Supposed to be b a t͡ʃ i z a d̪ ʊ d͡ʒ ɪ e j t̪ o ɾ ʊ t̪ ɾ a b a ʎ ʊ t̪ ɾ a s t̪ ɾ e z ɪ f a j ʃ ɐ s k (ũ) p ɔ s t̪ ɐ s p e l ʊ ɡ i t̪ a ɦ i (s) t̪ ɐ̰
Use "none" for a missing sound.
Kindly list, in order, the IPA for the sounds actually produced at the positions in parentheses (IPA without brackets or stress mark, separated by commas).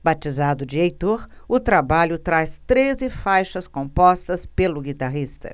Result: õ, s